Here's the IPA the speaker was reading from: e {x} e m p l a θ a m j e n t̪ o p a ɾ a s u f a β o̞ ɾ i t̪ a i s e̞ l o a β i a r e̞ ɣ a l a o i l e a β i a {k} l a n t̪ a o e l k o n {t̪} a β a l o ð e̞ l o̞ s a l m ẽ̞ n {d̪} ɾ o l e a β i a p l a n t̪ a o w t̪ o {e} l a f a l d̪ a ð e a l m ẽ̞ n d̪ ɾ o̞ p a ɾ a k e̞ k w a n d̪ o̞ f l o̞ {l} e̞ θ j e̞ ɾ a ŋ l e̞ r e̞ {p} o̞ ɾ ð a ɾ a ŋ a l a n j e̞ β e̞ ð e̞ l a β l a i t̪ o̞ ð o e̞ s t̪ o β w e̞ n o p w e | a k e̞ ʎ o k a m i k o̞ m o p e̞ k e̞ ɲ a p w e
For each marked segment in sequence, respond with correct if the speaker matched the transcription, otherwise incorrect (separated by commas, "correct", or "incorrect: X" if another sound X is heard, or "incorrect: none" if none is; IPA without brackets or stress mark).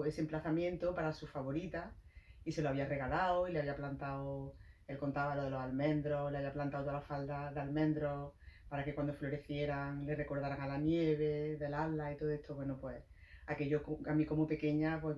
incorrect: s, incorrect: p, correct, correct, incorrect: a, incorrect: ɾ, incorrect: k